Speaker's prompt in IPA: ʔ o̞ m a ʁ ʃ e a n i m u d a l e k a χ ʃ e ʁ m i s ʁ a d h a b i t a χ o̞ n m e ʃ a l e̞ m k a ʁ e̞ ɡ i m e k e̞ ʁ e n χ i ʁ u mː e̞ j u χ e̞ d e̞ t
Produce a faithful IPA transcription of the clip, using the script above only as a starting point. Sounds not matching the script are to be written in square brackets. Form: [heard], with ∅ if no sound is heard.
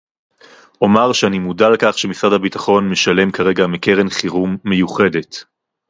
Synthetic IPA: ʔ o̞ m a ʁ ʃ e a n i m u d a l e k a χ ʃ e [∅] m i s ʁ a d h a b i t a χ o̞ n m e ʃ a l e̞ m k a ʁ e̞ ɡ [a] m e k e̞ ʁ e n χ i ʁ u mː e̞ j u χ e̞ d e̞ t